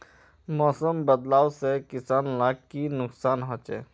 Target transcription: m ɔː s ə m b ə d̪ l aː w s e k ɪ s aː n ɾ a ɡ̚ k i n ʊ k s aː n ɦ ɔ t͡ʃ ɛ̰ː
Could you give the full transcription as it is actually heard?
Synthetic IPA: m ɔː s ə m b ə d̪ l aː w s e k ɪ s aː n l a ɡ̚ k i n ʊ k s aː n ɦ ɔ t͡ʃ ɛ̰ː